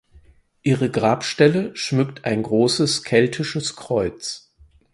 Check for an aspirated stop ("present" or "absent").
present